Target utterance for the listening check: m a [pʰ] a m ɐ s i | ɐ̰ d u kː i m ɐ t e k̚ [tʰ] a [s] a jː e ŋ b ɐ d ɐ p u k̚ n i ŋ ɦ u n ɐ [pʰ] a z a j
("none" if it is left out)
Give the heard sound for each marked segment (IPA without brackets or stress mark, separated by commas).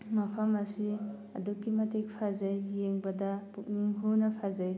pʰ, pʰ, z, pʰ